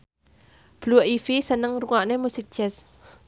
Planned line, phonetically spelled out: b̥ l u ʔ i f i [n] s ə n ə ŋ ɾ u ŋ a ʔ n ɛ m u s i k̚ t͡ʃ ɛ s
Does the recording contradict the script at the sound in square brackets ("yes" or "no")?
yes